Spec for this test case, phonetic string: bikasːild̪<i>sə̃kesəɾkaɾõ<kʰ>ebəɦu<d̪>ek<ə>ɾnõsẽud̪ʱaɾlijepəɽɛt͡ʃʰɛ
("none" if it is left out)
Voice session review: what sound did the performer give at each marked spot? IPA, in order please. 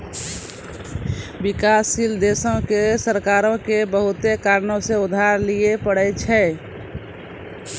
e, k, t̪, a

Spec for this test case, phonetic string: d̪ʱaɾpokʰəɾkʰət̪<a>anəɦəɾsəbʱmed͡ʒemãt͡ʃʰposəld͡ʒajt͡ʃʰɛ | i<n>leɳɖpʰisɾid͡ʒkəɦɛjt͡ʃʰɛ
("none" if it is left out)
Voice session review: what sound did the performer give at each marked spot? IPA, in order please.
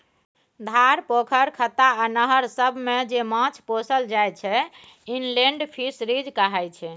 a, n

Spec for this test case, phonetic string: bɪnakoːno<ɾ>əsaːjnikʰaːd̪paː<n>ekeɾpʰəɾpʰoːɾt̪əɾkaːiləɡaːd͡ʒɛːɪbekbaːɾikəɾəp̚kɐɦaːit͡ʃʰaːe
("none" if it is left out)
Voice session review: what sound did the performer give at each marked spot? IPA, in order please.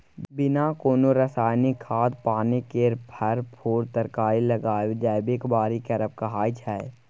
ɾ, n

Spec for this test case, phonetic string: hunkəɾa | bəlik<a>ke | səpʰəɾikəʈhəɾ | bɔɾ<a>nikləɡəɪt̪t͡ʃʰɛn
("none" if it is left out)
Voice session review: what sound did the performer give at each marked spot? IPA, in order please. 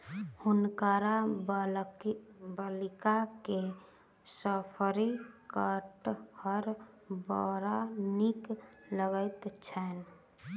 a, a

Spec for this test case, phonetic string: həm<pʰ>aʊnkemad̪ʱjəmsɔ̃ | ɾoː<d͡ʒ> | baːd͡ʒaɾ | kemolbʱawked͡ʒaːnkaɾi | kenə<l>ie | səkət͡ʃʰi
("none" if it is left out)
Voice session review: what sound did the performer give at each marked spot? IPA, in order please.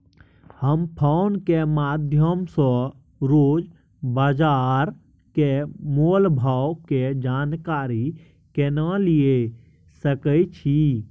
pʰ, d͡ʒ, l

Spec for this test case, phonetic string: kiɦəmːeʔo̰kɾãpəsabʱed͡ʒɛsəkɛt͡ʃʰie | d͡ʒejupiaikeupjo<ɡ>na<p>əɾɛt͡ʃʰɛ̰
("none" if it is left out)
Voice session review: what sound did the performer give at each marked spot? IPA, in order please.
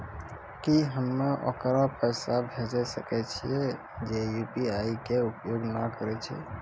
ɡ, k

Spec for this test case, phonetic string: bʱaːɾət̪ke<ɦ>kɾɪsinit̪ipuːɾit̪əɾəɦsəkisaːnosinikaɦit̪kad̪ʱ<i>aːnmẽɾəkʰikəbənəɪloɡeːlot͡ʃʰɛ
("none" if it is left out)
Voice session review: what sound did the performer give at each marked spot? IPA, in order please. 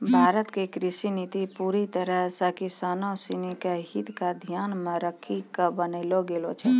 none, j

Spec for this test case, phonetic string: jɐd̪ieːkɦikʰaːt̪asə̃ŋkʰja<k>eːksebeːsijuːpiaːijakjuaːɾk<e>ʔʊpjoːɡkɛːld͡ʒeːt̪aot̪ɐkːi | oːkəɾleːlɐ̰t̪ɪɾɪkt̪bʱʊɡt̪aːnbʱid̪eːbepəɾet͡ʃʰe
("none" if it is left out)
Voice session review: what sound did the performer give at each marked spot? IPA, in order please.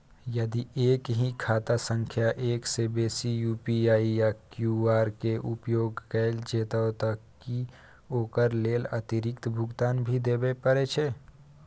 ʔ, e

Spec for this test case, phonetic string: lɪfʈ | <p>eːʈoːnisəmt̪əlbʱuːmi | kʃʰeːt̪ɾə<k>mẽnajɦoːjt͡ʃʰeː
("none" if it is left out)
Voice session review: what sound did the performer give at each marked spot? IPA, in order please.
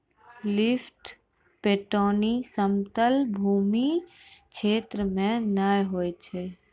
p, none

